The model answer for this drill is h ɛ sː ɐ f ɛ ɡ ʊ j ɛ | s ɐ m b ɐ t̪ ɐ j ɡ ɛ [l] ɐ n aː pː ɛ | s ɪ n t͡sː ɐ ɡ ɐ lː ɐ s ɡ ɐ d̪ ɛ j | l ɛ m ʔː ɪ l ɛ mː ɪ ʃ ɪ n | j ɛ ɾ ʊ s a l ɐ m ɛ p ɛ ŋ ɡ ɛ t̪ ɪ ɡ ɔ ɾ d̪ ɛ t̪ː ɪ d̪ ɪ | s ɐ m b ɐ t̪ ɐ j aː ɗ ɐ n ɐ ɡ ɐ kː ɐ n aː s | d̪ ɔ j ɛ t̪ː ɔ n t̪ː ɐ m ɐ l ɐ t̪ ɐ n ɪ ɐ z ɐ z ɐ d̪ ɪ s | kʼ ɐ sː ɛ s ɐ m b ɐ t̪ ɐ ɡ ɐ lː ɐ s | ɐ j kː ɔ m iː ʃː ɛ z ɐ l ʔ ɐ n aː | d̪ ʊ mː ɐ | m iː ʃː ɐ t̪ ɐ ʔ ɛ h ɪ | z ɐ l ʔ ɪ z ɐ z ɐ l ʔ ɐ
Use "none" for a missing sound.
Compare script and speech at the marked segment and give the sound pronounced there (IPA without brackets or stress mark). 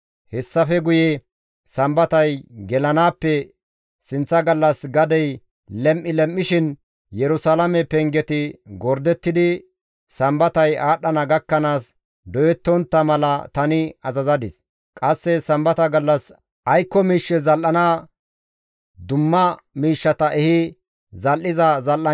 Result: l